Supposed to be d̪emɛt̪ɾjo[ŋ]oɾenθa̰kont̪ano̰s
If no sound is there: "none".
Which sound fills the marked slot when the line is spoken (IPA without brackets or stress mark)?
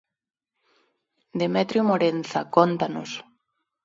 m